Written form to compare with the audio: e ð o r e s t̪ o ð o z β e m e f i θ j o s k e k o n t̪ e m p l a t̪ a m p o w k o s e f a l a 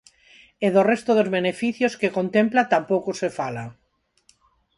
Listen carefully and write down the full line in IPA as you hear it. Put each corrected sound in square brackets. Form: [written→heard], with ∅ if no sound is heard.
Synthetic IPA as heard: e ð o r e s t̪ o ð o z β e [m→n] e f i θ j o s k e k o n t̪ e m p l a t̪ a m p o w k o s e f a l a